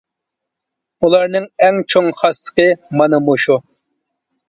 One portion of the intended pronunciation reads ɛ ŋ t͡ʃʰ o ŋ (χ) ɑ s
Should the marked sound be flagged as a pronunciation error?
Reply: no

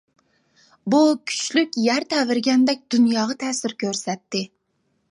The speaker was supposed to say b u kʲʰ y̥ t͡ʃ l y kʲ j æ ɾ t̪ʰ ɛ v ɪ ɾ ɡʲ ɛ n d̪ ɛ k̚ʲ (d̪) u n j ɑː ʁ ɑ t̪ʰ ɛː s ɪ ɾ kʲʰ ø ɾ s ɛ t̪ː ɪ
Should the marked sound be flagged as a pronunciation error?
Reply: no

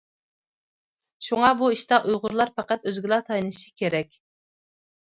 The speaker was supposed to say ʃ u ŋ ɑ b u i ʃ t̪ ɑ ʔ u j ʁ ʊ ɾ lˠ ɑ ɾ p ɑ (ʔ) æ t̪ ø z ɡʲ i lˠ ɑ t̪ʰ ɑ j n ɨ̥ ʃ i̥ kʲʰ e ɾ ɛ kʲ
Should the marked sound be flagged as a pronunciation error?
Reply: yes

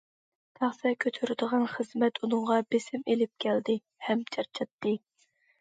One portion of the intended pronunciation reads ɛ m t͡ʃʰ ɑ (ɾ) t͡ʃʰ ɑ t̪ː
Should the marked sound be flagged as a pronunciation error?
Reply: no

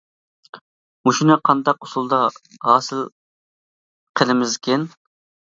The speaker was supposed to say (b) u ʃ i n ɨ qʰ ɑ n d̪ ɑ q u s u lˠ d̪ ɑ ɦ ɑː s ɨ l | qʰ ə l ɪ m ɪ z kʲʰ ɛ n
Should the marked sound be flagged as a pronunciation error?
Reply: yes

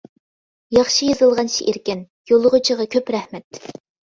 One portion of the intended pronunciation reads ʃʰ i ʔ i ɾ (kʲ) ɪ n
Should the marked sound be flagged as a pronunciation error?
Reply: no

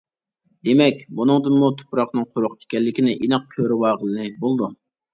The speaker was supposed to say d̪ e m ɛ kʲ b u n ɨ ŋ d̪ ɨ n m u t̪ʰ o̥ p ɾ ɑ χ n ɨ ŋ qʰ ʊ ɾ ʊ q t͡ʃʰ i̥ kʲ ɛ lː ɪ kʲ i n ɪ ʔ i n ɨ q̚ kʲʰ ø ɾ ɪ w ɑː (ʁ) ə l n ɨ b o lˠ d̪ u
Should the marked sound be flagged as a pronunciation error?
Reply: no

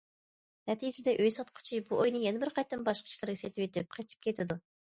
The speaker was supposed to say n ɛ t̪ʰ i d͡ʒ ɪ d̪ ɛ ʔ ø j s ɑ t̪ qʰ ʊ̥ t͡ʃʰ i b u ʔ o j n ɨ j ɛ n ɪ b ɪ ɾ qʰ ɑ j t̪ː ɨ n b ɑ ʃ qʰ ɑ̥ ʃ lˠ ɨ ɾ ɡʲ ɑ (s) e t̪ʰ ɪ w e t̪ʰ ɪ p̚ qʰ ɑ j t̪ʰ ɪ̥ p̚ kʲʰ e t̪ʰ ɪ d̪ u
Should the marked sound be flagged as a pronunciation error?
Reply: no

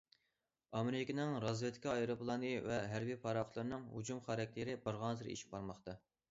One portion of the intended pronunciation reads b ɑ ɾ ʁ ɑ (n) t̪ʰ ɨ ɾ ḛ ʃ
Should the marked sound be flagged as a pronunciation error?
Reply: no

